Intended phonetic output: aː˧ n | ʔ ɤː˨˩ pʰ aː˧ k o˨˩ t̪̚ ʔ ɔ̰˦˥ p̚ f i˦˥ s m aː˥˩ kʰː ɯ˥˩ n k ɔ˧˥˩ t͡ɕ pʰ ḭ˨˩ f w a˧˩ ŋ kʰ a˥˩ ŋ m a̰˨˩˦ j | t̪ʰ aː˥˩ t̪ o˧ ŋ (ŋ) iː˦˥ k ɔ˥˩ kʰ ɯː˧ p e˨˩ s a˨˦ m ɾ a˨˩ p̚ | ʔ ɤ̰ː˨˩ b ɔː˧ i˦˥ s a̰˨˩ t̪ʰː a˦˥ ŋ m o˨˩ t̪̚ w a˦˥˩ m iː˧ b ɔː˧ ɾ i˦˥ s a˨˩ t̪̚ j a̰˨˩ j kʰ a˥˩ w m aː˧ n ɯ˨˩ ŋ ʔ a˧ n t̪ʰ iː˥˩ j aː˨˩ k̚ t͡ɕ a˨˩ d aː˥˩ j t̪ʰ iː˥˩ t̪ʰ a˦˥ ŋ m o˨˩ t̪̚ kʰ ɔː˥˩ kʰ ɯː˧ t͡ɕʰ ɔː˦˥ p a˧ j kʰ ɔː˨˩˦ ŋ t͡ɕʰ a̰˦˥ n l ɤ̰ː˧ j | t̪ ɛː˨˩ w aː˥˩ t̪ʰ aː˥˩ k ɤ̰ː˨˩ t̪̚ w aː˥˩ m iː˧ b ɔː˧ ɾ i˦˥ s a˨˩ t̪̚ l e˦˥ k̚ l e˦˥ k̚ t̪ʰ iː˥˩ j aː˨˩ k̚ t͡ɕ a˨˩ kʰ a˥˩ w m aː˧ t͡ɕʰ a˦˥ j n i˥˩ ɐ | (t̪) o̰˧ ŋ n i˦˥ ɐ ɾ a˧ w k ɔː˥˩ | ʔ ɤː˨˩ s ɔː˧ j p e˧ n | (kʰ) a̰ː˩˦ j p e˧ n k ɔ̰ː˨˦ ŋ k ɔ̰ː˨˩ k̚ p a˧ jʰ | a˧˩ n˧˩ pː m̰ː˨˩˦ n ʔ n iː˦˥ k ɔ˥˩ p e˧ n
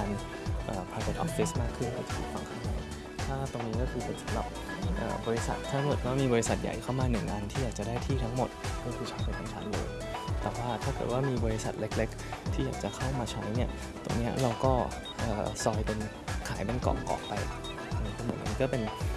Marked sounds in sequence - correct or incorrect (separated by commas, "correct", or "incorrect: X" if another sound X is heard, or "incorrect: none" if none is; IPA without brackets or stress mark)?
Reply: incorrect: n, correct, correct